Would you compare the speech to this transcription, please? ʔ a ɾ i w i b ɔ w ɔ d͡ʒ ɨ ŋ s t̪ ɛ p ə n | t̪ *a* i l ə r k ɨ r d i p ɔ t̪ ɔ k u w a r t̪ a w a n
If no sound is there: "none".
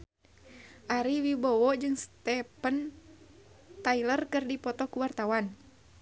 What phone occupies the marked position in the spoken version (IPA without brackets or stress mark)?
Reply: a